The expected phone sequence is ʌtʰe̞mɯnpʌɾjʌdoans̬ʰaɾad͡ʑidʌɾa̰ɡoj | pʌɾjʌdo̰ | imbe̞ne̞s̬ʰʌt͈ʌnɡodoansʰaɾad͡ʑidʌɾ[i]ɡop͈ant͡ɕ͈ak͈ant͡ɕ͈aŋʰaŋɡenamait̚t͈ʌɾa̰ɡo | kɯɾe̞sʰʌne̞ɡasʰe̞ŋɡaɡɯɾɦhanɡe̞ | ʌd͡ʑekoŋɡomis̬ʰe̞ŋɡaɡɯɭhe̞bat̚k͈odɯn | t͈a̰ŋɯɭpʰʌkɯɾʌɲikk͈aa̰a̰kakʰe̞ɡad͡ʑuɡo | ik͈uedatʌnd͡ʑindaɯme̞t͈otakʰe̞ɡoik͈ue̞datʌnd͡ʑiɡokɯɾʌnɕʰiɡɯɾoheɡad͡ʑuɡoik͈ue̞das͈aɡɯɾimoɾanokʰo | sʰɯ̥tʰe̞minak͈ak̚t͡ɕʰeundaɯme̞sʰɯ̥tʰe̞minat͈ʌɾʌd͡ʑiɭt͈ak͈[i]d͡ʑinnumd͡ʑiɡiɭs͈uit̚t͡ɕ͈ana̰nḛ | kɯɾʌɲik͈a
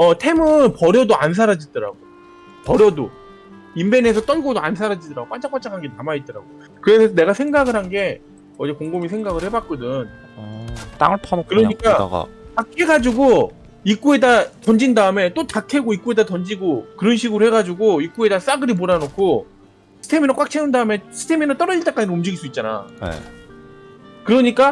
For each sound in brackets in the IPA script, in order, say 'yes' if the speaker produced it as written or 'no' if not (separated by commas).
no, no